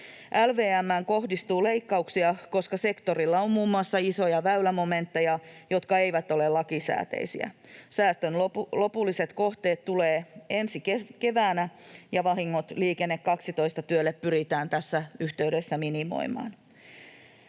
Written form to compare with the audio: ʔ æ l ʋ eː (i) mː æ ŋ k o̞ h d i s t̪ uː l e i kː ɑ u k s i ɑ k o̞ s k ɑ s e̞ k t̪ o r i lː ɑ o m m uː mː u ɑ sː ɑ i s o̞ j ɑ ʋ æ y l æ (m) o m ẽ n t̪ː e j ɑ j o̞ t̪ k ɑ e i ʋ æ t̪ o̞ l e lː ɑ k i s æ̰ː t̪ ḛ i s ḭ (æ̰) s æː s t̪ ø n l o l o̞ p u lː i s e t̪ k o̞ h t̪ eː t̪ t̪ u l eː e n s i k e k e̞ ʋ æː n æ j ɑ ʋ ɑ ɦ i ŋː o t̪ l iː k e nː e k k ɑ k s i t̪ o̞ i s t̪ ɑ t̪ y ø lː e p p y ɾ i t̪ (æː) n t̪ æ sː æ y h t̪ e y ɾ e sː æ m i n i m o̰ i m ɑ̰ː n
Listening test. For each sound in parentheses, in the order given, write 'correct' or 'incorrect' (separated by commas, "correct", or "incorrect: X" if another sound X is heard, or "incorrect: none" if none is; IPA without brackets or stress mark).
incorrect: æ, correct, correct, correct